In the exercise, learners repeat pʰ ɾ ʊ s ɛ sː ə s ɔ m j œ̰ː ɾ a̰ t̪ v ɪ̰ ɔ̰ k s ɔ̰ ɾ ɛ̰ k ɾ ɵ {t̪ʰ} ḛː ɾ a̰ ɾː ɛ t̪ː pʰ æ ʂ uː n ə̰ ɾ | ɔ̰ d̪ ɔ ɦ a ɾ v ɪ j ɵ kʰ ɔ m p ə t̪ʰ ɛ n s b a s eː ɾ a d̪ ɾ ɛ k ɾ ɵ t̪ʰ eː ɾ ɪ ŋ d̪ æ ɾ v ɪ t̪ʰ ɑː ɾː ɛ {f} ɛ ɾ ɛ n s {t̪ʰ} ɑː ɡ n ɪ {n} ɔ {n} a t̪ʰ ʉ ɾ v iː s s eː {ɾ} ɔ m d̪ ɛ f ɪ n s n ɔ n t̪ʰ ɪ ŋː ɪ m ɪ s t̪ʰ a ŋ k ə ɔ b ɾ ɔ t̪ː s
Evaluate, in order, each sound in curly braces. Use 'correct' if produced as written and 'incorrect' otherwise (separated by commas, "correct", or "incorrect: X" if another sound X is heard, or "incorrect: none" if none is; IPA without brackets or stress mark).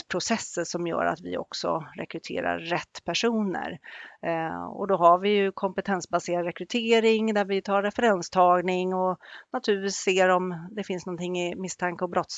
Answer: correct, correct, correct, incorrect: ŋ, correct, correct